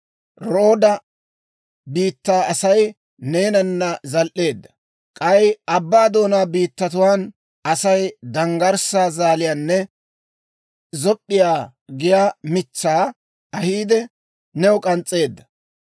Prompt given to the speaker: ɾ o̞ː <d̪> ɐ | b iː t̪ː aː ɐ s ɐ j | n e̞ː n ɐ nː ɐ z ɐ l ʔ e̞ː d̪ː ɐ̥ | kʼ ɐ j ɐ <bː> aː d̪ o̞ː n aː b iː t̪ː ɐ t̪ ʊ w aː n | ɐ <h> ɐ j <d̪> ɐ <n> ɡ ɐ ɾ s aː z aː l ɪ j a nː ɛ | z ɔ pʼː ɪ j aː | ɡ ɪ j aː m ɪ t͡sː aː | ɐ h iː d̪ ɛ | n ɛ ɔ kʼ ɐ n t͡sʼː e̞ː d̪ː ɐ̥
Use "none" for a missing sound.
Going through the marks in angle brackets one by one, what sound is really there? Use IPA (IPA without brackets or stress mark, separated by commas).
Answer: d̪, bː, s, d̪, ŋ